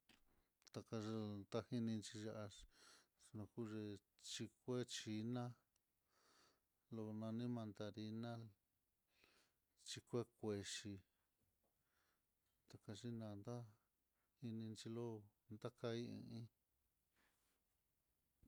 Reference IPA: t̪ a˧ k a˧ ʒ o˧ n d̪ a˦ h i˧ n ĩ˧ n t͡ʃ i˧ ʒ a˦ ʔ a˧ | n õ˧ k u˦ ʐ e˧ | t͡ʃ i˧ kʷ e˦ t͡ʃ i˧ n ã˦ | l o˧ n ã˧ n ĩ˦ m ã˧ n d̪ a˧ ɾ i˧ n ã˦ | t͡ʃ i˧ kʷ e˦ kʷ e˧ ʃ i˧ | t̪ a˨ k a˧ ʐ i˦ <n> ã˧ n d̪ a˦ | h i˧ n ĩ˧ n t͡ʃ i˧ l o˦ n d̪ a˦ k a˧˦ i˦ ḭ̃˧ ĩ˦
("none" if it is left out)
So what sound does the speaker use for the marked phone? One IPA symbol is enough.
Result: n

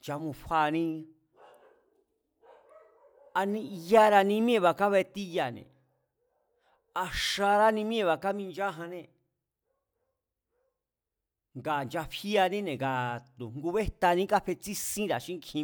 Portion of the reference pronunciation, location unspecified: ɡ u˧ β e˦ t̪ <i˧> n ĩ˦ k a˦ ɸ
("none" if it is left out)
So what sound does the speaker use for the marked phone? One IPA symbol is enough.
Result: a˧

